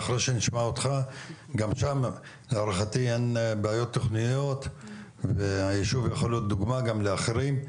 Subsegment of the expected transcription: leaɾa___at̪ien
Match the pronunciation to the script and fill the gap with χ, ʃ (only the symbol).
χ